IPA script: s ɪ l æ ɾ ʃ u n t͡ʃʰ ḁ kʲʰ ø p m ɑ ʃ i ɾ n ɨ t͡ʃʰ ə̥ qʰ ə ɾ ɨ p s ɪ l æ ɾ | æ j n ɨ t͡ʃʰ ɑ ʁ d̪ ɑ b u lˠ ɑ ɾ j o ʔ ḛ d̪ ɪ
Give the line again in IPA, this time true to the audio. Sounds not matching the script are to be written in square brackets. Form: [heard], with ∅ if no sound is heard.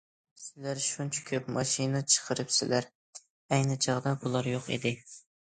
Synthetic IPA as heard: s ɪ l æ ɾ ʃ u n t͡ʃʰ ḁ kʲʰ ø p m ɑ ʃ i [∅] n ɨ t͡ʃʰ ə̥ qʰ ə ɾ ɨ p s ɪ l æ ɾ | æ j n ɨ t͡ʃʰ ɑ ʁ d̪ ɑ b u lˠ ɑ ɾ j o [q] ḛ d̪ ɪ